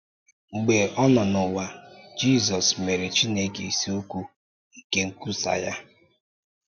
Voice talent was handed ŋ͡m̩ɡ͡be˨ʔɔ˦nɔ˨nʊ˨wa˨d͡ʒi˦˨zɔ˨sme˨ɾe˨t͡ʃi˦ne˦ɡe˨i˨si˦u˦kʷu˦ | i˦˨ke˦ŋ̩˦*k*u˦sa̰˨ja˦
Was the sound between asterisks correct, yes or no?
yes